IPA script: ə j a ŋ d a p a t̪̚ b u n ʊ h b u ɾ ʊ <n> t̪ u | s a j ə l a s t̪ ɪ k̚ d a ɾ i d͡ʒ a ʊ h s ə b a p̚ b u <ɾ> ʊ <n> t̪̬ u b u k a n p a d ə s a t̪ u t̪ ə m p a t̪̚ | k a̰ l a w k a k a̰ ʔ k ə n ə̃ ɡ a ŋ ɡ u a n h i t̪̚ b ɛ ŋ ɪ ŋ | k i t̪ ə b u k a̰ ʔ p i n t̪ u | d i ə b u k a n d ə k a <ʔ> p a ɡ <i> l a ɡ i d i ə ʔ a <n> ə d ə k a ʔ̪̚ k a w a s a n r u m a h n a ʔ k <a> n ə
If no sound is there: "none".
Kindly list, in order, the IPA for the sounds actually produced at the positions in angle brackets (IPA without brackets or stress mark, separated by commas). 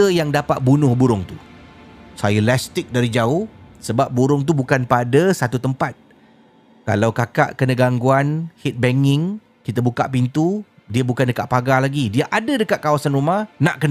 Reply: ŋ, ɾ, ŋ, ʔ, a, d, ə